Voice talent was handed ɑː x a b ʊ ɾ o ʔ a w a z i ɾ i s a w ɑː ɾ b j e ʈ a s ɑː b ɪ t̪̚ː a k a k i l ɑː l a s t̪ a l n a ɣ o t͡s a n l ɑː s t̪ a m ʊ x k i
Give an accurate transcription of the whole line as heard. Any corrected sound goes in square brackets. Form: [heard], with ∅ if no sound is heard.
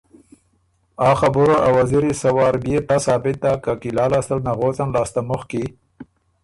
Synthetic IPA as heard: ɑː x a b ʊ ɾ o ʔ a w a z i ɾ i s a w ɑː ɾ b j e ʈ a s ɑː b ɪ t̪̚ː a k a k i l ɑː l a s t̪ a l n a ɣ o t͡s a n l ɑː s t̪ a m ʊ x k i